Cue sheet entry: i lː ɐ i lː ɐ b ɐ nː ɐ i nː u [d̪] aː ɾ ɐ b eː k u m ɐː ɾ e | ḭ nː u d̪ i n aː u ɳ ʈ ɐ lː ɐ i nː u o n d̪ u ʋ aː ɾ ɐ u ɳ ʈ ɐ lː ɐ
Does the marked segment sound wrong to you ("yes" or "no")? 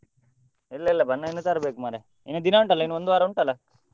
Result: yes